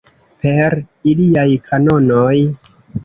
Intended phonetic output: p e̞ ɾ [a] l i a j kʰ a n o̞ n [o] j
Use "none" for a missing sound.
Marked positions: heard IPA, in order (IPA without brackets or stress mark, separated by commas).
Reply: i, o